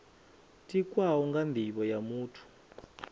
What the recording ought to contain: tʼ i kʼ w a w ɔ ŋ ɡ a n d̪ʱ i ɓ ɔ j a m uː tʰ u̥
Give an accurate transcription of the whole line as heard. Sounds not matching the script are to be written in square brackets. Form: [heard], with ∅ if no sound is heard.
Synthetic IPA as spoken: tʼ i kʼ w a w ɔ ŋ ɡ a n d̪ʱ i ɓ ɔ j a m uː tʰ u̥